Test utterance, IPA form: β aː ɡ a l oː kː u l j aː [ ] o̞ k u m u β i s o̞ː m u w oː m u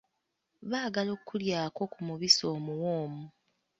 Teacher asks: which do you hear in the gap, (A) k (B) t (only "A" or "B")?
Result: A